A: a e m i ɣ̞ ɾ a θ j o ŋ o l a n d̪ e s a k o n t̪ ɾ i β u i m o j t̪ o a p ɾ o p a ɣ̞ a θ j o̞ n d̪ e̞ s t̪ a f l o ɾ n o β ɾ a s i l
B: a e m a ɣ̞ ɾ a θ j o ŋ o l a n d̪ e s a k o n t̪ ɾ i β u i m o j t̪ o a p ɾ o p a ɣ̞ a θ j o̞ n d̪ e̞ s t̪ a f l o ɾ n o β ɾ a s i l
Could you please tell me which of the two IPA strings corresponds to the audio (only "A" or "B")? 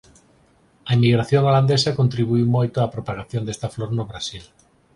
A